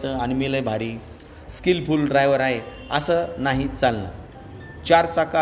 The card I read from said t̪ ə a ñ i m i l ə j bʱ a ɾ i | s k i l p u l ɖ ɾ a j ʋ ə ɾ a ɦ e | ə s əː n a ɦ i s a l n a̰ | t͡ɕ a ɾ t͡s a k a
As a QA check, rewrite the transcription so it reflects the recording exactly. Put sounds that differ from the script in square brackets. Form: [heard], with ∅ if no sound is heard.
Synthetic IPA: t̪ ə a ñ i m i l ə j bʱ a ɾ i | s k i l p u l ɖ ɾ a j ʋ ə ɾ a ɦ e | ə s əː n a ɦ i [t͡s] a l n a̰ | t͡ɕ a ɾ t͡s a k a